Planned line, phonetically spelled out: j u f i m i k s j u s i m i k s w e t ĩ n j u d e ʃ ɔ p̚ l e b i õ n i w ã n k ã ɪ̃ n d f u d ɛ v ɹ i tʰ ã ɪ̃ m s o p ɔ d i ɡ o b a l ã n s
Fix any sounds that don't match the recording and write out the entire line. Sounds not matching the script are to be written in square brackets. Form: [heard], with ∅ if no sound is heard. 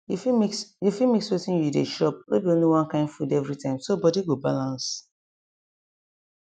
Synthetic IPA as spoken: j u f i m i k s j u [f] i m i k s w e t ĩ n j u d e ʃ ɔ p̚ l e b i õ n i w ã n k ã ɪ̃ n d f u d ɛ v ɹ i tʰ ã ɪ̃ m s o [b] ɔ d i ɡ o b a l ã n s

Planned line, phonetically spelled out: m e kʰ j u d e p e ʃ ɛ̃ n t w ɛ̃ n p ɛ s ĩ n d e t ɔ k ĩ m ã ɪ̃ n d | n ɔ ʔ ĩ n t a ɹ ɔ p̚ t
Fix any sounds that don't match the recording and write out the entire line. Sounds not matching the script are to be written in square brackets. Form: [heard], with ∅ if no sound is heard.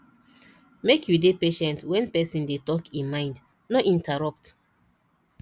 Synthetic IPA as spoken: m e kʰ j u d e p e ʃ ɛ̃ n t w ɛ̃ n p ɛ s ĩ n d e t ɔ k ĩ m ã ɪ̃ n d | n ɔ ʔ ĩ n t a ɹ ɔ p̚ t

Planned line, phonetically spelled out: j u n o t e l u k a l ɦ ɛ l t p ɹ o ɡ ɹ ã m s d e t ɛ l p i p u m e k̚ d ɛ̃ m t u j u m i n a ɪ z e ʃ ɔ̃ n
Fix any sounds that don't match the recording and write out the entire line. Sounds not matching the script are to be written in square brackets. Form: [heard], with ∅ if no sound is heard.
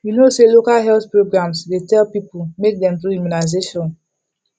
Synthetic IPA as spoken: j u n o [s] e l [o] k a l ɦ ɛ l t p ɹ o ɡ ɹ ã m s d e t ɛ l p i p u m e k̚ d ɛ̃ m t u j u m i n a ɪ z e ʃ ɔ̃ n

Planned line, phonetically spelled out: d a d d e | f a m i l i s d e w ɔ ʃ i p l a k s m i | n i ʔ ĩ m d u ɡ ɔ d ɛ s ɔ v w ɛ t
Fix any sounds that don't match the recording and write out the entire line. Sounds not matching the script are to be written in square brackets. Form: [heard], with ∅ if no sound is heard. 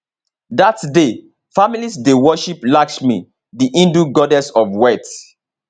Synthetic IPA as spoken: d a [t] d e | f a m i l i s d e w ɔ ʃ i p l a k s m i | [d] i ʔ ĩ [n] d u ɡ ɔ d ɛ s ɔ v w ɛ t

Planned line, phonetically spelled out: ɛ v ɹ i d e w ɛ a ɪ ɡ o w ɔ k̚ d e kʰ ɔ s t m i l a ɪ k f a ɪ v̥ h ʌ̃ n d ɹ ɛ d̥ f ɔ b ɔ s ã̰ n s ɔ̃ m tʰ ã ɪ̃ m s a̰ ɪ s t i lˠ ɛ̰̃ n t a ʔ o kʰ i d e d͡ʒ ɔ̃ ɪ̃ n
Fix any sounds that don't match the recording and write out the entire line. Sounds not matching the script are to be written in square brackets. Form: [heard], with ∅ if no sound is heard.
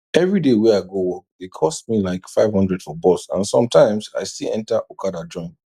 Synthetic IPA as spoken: ɛ v ɹ i d e w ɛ a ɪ ɡ o w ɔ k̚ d e kʰ ɔ s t m i l a ɪ k f a ɪ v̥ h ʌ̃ n d ɹ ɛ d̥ f ɔ b ɔ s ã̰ n s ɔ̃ m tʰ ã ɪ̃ m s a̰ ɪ s t i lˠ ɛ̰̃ n t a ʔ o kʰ [a] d [a] d͡ʒ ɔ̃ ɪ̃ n

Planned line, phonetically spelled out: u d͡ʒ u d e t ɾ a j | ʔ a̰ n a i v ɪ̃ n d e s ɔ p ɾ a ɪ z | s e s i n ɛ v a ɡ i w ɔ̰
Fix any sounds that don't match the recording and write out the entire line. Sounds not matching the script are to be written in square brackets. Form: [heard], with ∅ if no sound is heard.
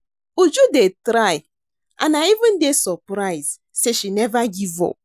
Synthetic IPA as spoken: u d͡ʒ u d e t ɾ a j | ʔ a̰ n a i v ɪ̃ n d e s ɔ p ɾ a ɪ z | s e [ʃ] i n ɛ v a ɡ i [v] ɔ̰

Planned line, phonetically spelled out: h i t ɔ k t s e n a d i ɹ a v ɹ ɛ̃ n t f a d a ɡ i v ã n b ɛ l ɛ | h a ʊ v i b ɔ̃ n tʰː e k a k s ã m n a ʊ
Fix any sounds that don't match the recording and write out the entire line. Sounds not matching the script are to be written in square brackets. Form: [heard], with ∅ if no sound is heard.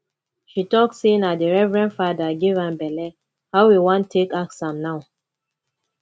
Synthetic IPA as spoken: [ʃ] i t ɔ k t s e n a d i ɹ [ɛ] v ɹ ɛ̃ n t f a d a ɡ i v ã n b ɛ l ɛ | h a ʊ [w] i [w] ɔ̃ n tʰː e k a k s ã m n a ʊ

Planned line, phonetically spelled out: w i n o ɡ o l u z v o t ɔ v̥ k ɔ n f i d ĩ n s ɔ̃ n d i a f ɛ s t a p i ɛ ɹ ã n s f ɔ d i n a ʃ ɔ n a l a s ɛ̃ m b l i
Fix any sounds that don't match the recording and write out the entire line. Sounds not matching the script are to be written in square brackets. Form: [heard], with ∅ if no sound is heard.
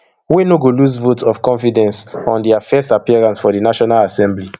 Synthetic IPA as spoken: w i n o ɡ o l u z v o t ɔ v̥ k [ɔ̃] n f i d [ɛ̃] n s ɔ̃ n d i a f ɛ s t a p i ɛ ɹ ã n s f ɔ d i n a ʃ ɔ n a l a s ɛ̃ m b l i

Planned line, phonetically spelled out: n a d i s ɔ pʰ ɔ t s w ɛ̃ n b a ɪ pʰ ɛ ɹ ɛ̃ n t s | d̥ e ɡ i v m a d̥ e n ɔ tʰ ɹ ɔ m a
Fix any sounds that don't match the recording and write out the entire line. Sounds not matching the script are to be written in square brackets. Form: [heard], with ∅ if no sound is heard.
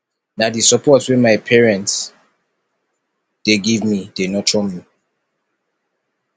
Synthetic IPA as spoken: n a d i s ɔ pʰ ɔ t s w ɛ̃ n [m] a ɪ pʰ ɛ ɹ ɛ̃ n t s | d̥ e ɡ i v m [i] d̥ e n ɔ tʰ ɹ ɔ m [i]

